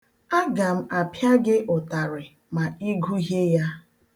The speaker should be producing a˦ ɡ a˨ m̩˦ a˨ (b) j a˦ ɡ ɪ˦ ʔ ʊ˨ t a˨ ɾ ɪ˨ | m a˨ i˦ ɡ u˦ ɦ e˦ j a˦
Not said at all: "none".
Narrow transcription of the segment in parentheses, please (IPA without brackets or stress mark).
p